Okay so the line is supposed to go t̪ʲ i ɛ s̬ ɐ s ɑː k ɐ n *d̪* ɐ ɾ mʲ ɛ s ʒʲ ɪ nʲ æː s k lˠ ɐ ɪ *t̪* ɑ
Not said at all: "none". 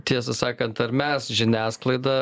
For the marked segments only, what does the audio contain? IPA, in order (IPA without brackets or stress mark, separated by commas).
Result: t̪, d̪